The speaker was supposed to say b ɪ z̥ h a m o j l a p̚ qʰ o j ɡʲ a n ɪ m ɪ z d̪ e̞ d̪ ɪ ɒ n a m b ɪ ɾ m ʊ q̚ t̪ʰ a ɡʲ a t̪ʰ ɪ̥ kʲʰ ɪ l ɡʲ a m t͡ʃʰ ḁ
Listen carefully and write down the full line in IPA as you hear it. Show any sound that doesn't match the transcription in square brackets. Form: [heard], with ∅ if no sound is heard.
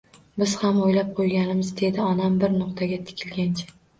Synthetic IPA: b ɪ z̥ h a m o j l a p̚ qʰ o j ɡʲ a n ɪ m ɪ z d̪ e̞ d̪ ɪ ɒ n a m b ɪ ɾ [n] ʊ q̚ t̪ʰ a ɡʲ a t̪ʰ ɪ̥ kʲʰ ɪ l ɡʲ a [n] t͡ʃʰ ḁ

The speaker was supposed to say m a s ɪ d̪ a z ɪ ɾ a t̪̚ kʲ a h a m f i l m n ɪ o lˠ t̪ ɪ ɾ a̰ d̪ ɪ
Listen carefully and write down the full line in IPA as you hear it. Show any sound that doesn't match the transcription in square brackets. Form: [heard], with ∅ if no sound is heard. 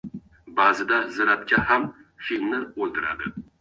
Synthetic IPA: [b] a [z] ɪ d̪ a z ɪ ɾ a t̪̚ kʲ a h a m f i l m n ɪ o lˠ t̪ ɪ ɾ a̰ d̪ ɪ

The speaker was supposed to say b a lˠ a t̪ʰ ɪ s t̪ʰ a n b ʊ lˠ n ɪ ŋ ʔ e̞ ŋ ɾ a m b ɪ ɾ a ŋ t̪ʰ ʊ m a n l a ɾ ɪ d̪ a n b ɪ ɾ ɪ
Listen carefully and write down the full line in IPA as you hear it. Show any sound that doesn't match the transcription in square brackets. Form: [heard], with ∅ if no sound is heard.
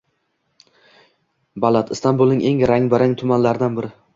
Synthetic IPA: b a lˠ a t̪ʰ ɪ s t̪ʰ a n b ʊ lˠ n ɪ ŋ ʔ e̞ ŋ ɾ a [ŋ] b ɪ ɾ a ŋ t̪ʰ ʊ m a n l a ɾ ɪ d̪ a n b ɪ ɾ ɪ

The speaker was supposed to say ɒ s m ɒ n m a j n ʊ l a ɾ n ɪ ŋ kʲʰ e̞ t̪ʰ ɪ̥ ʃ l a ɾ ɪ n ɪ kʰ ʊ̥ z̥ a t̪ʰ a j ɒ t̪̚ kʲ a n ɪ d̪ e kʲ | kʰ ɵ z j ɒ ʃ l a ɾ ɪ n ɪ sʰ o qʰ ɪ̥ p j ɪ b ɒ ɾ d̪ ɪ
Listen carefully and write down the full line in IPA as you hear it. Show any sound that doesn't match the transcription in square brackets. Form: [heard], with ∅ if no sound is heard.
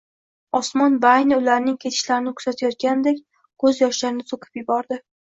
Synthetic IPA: ɒ s m ɒ n [b] a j n ʊ l a ɾ n ɪ ŋ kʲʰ e̞ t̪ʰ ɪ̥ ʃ l a ɾ ɪ n ɪ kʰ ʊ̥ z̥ a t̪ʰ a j ɒ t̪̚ kʲ a n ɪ d̪ e kʲ | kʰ ɵ z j ɒ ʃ l a ɾ ɪ n ɪ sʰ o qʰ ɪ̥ p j ɪ b ɒ ɾ d̪ ɪ

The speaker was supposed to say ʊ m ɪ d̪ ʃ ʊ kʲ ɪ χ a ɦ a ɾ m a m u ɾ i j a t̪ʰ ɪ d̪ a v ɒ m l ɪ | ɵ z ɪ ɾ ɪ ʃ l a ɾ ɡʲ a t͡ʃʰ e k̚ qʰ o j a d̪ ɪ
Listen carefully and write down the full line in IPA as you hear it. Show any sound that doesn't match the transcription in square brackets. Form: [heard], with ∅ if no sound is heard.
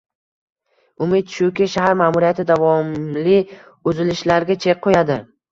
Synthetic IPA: ʊ m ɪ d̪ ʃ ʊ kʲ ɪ [ʃ] a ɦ a ɾ m a m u ɾ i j a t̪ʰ ɪ d̪ a v ɒ m l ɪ | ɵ z ɪ [l] ɪ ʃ l a ɾ ɡʲ a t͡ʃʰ e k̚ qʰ o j a d̪ ɪ

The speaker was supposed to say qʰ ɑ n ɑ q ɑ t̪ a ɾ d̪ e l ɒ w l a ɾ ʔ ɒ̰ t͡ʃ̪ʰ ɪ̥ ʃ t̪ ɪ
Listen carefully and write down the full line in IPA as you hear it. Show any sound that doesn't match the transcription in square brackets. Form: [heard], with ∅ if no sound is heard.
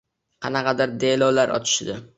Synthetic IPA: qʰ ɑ n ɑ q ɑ [d̪] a ɾ d̪ e l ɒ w l a ɾ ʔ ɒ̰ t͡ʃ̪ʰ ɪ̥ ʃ [d̪] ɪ

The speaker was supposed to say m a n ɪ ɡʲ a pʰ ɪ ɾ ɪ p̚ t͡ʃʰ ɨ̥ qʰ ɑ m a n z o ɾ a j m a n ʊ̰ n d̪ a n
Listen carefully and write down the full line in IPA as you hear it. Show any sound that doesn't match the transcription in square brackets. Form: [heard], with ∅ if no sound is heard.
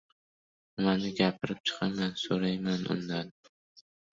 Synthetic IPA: m a n ɪ ɡʲ a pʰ ɪ ɾ ɪ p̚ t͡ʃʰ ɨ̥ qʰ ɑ m a n [s] o ɾ a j m a n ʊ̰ n d̪ a n

